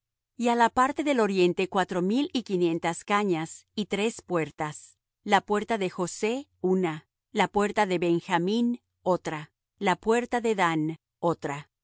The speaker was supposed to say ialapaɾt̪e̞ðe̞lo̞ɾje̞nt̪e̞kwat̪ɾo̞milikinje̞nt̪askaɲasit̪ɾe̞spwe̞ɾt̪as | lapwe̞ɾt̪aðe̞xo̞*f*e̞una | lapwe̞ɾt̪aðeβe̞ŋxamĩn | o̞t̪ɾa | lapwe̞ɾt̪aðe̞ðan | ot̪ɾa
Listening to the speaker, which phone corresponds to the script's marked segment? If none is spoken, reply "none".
s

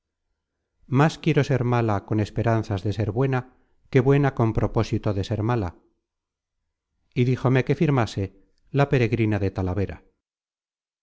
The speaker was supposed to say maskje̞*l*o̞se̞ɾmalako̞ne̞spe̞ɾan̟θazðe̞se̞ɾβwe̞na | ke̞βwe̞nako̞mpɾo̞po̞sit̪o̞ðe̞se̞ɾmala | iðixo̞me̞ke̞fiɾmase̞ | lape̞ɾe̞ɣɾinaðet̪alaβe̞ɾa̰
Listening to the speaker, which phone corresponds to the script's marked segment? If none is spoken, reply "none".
ɾ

